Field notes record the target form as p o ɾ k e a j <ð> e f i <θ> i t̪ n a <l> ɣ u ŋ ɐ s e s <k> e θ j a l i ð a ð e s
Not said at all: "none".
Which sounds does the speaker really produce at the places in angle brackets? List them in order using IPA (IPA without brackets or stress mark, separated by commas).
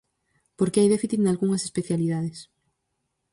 ð, θ, l, p